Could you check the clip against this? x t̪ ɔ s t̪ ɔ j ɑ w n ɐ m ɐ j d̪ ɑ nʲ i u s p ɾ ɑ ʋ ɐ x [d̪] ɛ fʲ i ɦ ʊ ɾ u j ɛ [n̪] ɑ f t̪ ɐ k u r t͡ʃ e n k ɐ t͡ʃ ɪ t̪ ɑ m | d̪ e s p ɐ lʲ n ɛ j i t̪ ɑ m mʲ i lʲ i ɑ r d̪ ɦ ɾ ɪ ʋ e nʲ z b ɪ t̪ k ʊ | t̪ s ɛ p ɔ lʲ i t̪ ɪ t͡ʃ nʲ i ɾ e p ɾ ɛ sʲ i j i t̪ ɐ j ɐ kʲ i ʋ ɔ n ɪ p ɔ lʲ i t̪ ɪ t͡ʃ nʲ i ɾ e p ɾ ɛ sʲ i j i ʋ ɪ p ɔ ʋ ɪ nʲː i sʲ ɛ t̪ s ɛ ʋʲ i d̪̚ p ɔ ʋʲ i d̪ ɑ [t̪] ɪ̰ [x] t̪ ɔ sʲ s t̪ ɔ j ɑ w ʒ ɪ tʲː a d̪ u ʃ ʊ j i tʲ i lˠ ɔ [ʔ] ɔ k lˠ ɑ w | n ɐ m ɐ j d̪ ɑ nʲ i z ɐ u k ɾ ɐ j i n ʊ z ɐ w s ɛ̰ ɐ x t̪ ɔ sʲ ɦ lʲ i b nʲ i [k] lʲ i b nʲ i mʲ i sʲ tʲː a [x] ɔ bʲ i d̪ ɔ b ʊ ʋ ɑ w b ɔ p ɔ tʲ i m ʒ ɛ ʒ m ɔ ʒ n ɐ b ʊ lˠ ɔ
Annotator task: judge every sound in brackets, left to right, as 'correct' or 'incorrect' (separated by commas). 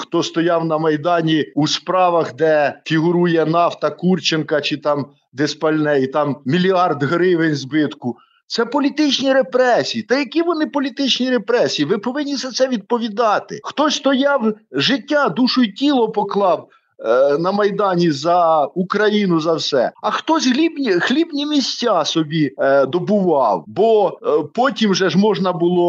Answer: correct, correct, correct, correct, incorrect, incorrect, incorrect